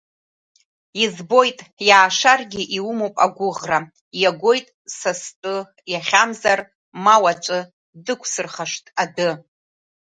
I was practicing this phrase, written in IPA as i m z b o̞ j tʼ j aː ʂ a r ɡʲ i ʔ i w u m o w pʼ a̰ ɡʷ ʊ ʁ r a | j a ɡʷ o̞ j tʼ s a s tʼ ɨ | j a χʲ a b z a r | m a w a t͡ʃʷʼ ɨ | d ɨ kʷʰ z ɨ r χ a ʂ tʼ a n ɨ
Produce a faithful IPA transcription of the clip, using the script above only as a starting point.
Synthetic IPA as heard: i z b o̞ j tʼ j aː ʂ a r ɡʲ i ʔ i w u m o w pʼ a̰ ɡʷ ʊ ʁ r a | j a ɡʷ o̞ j tʼ s a s tʼ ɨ | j a χʲ a m z a r | m a w a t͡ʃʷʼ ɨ | d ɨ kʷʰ s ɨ r χ a ʂ tʼ a d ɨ